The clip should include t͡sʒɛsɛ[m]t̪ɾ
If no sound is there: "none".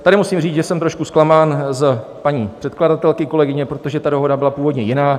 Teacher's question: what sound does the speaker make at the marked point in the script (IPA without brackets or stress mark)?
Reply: m